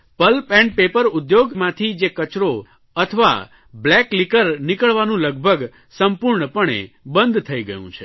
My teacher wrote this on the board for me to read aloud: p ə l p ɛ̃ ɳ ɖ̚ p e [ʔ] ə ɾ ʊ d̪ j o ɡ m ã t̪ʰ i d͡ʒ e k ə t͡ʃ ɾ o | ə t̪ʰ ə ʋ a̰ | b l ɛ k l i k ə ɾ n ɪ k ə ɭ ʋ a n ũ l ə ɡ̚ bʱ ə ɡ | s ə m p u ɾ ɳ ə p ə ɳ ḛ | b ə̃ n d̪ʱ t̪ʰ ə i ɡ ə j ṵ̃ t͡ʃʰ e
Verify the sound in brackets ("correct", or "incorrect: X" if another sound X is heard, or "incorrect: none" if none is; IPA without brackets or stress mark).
incorrect: p